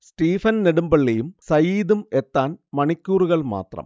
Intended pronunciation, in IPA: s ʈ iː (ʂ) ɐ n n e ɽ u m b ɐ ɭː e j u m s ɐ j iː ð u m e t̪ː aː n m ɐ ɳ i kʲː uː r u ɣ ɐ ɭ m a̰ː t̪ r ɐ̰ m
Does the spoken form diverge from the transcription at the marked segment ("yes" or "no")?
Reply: yes